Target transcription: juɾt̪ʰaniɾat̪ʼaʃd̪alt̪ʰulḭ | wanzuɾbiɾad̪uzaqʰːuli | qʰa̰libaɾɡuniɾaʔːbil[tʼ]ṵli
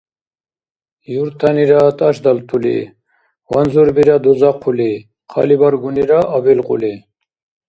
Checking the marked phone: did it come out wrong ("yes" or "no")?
yes